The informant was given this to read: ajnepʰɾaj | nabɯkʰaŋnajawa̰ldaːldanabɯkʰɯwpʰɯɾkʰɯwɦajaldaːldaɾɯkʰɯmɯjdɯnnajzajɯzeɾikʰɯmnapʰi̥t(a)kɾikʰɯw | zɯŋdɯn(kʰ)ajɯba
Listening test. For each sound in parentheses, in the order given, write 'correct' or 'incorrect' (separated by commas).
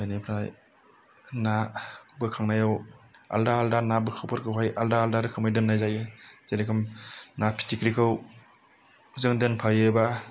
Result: incorrect, incorrect